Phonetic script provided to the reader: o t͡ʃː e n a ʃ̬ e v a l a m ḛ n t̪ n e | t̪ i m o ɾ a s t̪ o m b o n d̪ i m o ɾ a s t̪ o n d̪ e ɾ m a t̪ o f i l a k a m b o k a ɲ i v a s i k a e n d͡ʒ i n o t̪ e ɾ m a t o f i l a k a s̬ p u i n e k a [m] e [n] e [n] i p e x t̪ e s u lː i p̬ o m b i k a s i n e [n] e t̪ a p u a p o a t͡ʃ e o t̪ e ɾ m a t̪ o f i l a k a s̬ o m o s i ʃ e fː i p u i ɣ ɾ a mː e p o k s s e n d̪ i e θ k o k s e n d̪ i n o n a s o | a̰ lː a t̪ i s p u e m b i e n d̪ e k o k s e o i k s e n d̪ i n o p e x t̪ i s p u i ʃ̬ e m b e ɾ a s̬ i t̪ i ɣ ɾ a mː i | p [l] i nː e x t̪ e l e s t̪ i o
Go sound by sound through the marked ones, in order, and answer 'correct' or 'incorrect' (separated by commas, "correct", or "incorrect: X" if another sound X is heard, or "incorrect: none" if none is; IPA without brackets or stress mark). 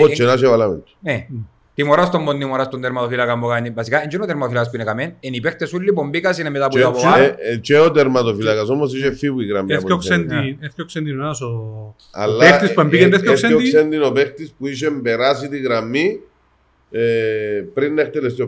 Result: correct, correct, correct, incorrect: m, incorrect: ɾ